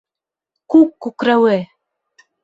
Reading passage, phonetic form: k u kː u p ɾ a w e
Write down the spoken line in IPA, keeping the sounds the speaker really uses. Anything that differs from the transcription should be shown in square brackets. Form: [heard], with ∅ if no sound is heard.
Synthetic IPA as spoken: k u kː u [k] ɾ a w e